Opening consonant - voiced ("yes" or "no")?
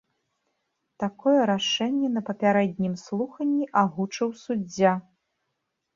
no